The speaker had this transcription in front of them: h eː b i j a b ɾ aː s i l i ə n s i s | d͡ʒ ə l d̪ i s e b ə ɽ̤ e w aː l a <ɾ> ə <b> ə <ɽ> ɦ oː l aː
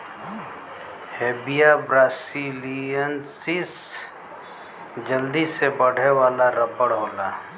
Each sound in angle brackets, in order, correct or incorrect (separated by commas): correct, incorrect, correct